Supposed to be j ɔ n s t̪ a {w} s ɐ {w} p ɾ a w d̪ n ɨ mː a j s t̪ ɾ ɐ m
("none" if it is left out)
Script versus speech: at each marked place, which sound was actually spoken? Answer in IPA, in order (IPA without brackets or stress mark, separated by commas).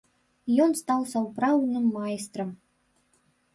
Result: w, w